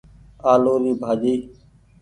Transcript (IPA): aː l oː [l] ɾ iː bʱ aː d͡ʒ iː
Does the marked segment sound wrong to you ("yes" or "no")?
yes